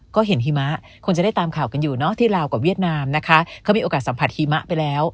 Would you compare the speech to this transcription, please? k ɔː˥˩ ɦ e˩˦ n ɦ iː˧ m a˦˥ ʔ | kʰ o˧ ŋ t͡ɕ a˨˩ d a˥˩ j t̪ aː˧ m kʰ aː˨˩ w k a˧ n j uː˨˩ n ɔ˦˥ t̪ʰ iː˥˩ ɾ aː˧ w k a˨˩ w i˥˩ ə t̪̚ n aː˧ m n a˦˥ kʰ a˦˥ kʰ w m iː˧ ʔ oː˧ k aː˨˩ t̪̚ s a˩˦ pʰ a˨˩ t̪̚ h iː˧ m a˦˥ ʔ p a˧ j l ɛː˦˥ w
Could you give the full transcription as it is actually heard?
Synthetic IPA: k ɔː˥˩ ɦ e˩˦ n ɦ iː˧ m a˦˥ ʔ | kʰ o˧ ŋ t͡ɕ a˨˩ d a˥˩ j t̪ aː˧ m kʰ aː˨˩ w k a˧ n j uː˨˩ n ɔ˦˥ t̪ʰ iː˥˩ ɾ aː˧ w k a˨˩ w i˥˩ ə t̪̚ n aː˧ m n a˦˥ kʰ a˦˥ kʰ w m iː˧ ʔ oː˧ k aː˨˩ t̪̚ s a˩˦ pʰ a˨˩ t̪̚ h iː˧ m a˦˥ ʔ p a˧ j l ɛː˦˥ w

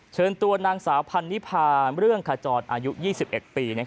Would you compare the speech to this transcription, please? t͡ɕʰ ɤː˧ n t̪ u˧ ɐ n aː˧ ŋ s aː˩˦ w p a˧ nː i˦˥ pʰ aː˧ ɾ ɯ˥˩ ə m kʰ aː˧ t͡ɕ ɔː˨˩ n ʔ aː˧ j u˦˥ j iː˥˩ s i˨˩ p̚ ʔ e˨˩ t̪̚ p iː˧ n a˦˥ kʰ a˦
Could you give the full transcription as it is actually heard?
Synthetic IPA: t͡ɕʰ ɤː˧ n t̪ u˧ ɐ n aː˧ ŋ s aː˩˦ w pʰ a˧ nː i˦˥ pʰ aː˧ ɾ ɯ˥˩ ə ŋ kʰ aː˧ t͡ɕ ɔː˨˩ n ʔ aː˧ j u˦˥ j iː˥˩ s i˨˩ p̚ ʔ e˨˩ t̪̚ p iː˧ n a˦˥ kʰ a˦

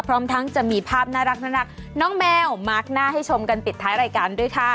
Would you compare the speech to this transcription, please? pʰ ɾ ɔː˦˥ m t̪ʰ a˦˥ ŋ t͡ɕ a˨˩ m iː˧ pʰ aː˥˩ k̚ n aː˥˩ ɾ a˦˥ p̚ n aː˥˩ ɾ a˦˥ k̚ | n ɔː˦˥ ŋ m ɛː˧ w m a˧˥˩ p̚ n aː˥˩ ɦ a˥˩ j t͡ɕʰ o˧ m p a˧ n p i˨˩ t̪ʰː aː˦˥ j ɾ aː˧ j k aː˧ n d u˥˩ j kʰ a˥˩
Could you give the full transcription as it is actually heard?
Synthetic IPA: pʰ ɾ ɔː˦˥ m t̪ʰ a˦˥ ŋ t͡ɕ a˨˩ m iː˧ pʰ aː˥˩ p̚ n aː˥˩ ɾ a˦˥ k̚ n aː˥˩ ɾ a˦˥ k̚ | n ɔː˦˥ ŋ m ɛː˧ w m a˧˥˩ k̚ n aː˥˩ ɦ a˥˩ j t͡ɕʰ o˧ m k a˧ n p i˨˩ t̪ʰː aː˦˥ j ɾ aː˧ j k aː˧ n d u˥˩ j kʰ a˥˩

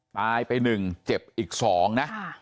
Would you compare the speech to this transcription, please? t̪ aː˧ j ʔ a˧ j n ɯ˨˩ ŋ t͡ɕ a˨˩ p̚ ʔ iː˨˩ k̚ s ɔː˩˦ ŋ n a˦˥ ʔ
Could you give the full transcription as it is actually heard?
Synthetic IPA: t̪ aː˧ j p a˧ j n ɯ˨˩ ŋ t͡ɕ e˨˩ p̚ ʔ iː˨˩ k̚ s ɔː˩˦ ŋ n a˦˥ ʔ

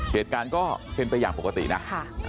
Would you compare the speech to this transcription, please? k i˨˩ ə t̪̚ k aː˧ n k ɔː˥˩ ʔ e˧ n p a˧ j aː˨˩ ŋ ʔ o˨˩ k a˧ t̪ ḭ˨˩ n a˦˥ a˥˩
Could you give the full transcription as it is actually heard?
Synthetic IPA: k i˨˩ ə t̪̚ k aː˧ n k ɔː˥˩ p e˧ n p a˧ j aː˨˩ ŋ p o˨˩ k a˧ t̪ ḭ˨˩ n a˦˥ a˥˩

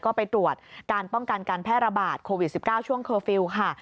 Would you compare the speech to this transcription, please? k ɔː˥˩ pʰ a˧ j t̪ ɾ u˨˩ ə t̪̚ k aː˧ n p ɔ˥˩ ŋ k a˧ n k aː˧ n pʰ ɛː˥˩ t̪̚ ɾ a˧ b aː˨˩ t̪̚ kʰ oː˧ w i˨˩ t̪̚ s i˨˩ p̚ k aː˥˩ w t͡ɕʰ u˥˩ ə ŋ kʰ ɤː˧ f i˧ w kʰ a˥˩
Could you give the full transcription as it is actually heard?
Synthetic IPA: k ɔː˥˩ p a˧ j t̪ ɾ u˨˩ ə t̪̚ k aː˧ n p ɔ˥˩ ŋ k a˧ n k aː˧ n pʰ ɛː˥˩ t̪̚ ɾ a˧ b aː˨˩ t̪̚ kʰ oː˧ w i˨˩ t̪̚ s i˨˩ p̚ k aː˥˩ w t͡ɕʰ u˥˩ ə ŋ kʰ ɤː˧ f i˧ w kʰ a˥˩

